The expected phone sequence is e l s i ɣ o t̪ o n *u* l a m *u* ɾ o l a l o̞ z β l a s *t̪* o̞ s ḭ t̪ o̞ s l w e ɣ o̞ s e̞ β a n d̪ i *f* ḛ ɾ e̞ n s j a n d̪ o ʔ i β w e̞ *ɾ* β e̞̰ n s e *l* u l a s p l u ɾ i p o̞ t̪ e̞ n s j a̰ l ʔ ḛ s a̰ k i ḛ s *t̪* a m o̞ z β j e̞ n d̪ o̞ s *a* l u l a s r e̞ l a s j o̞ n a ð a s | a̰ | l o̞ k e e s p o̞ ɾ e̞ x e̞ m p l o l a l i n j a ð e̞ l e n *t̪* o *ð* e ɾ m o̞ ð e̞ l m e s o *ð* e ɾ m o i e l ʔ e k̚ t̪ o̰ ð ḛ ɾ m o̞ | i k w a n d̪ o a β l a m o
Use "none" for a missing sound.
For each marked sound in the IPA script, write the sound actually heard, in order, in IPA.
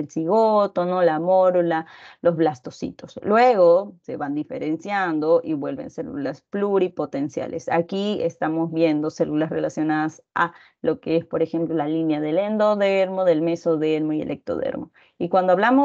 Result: o, o, t̪, f, l, l, t̪, e, d̪, ð, ð

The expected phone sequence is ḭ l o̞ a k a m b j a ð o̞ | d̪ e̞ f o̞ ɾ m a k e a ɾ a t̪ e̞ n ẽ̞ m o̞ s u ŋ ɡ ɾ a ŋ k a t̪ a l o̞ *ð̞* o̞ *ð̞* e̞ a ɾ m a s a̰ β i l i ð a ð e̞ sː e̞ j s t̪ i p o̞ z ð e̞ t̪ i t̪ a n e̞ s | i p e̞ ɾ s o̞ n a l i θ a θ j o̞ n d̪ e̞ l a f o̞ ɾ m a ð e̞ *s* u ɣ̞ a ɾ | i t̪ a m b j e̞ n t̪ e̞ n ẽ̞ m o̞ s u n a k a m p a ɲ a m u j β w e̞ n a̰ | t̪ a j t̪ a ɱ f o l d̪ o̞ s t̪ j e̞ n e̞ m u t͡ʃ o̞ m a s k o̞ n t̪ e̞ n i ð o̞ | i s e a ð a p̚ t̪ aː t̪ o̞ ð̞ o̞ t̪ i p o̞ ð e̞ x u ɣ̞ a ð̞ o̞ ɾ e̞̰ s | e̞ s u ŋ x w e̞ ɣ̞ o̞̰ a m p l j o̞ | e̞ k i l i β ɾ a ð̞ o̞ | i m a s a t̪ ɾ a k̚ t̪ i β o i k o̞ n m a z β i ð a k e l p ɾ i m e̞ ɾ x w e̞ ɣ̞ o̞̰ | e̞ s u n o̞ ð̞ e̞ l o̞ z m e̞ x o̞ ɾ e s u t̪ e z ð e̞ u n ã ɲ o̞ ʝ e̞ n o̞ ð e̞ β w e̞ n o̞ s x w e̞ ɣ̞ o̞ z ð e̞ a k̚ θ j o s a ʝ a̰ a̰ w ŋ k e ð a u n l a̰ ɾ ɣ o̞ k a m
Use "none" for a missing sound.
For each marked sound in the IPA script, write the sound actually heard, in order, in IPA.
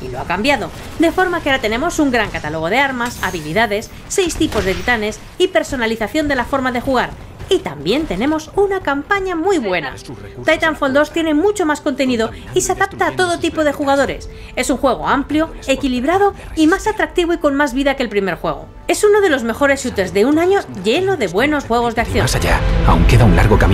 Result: ɣ̞, ð̞, x

